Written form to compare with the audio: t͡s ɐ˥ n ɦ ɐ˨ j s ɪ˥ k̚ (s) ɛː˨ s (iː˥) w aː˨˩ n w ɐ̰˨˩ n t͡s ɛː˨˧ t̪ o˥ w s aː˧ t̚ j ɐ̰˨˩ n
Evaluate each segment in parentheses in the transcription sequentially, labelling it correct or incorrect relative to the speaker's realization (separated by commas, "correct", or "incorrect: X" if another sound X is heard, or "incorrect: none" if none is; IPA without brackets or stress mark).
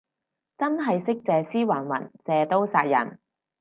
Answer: incorrect: t͡s, correct